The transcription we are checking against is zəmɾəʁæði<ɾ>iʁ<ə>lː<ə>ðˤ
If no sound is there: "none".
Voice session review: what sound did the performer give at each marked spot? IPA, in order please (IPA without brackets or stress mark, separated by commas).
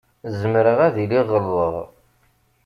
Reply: l, ə, ə